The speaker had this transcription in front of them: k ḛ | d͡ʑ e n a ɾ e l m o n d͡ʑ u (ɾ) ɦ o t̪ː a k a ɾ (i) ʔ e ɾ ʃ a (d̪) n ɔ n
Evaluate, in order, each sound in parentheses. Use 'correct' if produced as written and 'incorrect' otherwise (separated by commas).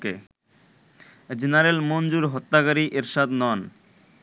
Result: correct, correct, correct